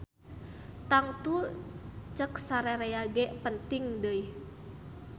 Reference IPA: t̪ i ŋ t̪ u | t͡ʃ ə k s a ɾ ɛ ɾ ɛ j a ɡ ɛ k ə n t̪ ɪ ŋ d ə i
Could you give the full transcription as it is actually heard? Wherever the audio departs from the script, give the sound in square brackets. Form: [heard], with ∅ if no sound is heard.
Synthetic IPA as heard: t̪ [a] ŋ t̪ u | t͡ʃ ə k s a ɾ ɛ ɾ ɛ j a ɡ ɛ [p] ə n t̪ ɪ ŋ d ə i